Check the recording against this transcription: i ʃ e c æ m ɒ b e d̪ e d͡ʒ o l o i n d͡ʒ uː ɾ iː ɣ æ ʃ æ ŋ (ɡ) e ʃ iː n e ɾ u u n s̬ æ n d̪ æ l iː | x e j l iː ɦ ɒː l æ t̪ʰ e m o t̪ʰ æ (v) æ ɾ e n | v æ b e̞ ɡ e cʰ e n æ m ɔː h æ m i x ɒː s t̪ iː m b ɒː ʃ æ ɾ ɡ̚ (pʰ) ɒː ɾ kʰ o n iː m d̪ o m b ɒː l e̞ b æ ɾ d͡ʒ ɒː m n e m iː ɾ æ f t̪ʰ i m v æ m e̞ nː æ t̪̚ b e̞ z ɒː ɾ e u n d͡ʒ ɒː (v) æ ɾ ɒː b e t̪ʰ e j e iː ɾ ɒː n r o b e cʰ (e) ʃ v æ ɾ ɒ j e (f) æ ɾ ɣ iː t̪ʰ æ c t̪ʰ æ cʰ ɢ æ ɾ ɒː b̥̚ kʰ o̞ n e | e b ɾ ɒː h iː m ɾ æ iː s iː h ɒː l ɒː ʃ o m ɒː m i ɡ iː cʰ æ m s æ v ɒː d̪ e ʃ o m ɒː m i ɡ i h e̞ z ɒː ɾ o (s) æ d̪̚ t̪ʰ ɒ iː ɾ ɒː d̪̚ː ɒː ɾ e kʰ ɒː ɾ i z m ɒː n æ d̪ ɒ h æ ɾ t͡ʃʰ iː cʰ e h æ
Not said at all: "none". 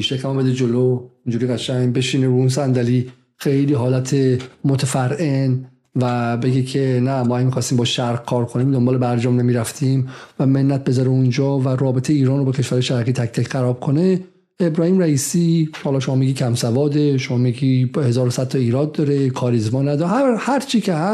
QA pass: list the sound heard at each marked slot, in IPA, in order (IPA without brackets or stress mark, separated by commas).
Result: b, f, kʰ, v, e, ʃ, s